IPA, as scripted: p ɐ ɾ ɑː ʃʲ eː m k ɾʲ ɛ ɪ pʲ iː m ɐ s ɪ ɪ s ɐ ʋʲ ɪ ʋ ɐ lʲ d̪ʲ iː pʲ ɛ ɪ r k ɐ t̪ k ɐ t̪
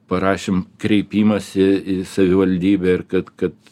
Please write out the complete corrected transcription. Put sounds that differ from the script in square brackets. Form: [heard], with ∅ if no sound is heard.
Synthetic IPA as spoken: p ɐ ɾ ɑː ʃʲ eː m k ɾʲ ɛ ɪ pʲ iː m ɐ s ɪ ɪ s ɐ ʋʲ ɪ ʋ ɐ lʲ d̪ʲ iː [bʲ] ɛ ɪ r k ɐ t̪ k ɐ t̪